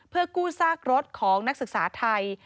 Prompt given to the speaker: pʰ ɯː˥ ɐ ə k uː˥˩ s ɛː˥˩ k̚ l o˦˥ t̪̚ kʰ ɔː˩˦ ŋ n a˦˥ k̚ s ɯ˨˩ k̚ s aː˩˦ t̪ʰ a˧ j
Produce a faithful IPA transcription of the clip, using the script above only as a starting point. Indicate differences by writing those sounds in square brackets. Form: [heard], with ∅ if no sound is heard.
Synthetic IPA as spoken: pʰ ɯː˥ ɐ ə k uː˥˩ s [aː˥˩] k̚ [ɾ] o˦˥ t̪̚ kʰ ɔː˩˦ ŋ n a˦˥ k̚ s ɯ˨˩ k̚ s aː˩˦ t̪ʰ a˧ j

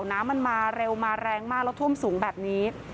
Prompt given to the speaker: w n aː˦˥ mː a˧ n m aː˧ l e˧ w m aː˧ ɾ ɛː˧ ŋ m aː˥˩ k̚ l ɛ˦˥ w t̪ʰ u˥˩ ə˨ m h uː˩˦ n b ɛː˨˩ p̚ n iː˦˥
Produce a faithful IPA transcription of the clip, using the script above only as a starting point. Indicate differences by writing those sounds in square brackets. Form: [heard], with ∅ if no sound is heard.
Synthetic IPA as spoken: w n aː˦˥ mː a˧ n m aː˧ [ɾ] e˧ w m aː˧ ɾ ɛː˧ ŋ m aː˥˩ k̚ l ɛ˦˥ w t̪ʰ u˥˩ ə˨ m [s] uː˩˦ [ŋ] b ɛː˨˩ p̚ n iː˦˥

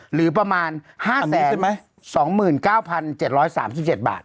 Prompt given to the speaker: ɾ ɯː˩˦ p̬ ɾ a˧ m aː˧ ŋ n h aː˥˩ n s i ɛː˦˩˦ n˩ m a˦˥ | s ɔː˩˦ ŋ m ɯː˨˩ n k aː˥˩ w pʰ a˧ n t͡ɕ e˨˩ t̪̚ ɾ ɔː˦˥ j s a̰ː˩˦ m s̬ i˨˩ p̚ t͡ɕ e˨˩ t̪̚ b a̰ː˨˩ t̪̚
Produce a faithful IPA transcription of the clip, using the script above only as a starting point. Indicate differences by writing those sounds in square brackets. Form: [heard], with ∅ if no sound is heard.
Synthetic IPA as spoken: ɾ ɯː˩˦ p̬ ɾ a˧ m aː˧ [∅] n h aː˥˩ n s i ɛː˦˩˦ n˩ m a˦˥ | s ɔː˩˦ ŋ m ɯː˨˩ n k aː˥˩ w pʰ a˧ n t͡ɕ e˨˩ t̪̚ ɾ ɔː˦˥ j s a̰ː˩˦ m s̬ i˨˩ p̚ t͡ɕ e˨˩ t̪̚ b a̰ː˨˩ t̪̚

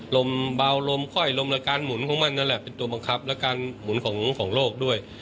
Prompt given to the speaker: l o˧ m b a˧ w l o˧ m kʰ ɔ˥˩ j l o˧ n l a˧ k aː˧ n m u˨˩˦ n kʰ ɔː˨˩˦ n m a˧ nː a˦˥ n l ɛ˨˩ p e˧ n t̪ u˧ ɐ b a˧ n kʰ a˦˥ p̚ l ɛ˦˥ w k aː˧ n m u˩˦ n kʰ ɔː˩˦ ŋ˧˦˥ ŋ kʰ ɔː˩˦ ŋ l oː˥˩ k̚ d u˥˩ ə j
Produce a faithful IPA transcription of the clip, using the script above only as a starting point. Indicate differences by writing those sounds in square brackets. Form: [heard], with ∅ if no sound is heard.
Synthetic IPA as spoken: l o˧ m b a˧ w l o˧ m kʰ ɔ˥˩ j l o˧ [m] l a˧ k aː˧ n m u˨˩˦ n kʰ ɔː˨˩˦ [ŋ] m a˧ nː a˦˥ n l ɛ˨˩ p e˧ n t̪ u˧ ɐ b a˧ [ŋ] kʰ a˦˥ p̚ l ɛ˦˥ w k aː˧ n m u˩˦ n kʰ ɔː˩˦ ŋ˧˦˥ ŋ kʰ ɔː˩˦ ŋ l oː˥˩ k̚ d u˥˩ ə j

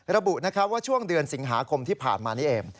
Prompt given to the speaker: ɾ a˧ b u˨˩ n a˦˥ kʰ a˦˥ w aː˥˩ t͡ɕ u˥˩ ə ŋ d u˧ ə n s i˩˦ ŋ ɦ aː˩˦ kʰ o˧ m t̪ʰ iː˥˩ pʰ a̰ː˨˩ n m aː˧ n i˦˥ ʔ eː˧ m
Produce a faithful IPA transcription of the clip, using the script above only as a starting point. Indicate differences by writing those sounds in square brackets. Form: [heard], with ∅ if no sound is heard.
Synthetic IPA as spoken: ɾ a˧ b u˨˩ n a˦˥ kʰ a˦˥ w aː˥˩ [t͡ɕʰ] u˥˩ ə ŋ d [ɯ˧] ə n s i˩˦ ŋ ɦ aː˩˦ kʰ o˧ m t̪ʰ iː˥˩ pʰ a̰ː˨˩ n m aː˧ n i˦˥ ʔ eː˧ m

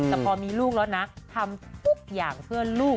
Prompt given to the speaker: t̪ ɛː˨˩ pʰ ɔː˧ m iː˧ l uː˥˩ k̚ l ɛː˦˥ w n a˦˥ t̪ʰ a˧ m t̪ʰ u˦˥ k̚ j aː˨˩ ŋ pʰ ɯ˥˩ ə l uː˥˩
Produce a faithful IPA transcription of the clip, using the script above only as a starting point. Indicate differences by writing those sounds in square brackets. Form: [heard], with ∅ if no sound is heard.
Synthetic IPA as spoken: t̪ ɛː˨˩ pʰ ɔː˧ m iː˧ l uː˥˩ k̚ l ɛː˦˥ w n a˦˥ t̪ʰ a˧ m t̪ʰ u˦˥ k̚ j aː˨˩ ŋ pʰ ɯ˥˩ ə l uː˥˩

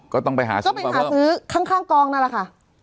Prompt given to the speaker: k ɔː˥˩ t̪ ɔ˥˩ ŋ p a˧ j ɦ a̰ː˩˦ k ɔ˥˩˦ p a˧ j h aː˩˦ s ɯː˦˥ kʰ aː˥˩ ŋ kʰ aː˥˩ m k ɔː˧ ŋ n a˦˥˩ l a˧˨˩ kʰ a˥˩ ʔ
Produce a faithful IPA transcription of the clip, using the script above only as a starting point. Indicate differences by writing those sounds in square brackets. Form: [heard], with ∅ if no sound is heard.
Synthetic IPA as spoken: k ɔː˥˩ t̪ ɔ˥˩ ŋ p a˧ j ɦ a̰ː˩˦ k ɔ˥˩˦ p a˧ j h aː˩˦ s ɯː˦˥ kʰ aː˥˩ ŋ kʰ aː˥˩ [ŋ] k ɔː˧ ŋ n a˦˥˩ l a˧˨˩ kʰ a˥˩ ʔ

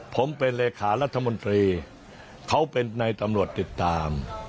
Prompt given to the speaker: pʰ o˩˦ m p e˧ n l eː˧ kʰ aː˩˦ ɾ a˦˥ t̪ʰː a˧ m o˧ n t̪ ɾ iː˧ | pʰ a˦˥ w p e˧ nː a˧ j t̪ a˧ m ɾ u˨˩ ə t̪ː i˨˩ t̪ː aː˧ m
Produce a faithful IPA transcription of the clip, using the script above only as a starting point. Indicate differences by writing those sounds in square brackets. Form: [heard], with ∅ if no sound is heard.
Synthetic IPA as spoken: pʰ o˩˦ m p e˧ n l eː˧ kʰ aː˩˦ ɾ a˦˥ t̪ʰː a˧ m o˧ n t̪ ɾ iː˧ | [kʰ] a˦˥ w p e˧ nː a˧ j t̪ a˧ m ɾ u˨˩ ə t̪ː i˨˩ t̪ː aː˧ m

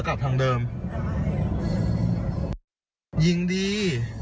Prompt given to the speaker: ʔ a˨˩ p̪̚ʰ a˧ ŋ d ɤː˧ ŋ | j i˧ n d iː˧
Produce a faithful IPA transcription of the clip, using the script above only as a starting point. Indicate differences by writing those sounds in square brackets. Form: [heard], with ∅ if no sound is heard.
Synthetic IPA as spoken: [k] a˨˩ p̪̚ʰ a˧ ŋ d ɤː˧ [m] | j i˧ [ŋ] d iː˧

